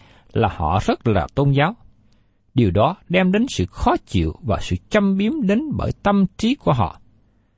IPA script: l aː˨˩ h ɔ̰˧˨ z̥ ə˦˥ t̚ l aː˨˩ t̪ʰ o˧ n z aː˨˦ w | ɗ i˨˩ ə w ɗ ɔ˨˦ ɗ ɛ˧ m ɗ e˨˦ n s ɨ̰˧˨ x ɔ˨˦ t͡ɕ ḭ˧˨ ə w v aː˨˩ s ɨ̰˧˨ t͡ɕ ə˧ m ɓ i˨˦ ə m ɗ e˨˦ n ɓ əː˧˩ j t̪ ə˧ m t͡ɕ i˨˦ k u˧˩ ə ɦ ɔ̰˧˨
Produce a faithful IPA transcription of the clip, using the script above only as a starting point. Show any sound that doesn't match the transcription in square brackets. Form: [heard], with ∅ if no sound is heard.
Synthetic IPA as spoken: l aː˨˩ h ɔ̰˧˨ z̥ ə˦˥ t̚ l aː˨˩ [t̪] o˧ n z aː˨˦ w | ɗ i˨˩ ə w ɗ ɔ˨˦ ɗ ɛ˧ m ɗ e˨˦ n s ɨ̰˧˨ x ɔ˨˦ t͡ɕ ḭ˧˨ ə w v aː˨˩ s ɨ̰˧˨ t͡ɕ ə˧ m ɓ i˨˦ ə m ɗ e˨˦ n ɓ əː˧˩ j t̪ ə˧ m t͡ɕ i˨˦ k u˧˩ ə ɦ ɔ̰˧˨